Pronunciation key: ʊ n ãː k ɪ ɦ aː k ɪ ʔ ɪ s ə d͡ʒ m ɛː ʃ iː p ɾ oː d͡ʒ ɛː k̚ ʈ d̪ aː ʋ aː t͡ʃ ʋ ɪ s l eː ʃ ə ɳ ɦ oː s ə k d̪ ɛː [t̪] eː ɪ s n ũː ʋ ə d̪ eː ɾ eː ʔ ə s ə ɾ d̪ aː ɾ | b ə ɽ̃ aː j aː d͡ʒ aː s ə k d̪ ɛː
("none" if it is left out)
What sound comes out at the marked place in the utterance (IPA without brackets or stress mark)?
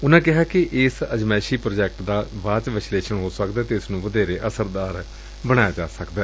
t̪